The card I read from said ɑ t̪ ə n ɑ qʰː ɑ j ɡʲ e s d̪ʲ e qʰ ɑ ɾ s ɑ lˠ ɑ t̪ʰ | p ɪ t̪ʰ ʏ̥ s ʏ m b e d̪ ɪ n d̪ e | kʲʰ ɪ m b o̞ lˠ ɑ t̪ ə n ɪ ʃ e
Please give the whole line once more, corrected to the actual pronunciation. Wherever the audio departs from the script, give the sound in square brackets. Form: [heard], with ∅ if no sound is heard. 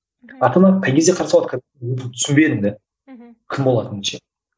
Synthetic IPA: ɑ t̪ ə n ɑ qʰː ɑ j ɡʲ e [z] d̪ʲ e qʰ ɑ ɾ s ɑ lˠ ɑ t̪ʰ | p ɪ t̪ʰ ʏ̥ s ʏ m b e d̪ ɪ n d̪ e | kʲʰ ɪ m b o̞ lˠ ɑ t̪ ə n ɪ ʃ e